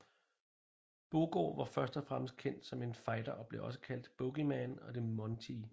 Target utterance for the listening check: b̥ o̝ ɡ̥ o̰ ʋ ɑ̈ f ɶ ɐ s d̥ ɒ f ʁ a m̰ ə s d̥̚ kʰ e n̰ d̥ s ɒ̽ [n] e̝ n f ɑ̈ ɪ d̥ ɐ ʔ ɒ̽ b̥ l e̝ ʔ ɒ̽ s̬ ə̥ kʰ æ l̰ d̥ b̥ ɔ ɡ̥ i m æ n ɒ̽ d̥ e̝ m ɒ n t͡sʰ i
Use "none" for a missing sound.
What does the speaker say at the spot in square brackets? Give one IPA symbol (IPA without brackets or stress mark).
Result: m